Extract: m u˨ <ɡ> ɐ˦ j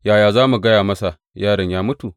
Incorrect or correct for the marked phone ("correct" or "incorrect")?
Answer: correct